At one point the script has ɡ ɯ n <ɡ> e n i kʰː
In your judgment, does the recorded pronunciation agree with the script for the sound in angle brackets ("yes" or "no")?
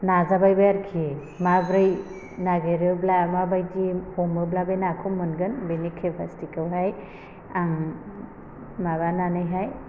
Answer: no